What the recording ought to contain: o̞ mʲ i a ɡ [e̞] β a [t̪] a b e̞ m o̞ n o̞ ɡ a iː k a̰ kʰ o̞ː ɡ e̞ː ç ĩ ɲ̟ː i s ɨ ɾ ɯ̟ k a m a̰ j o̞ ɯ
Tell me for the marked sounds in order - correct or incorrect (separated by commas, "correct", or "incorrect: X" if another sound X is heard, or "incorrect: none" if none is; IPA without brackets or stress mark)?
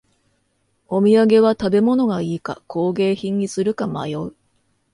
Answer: correct, correct